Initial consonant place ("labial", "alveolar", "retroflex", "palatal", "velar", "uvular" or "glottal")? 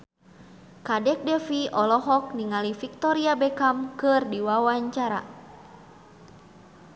velar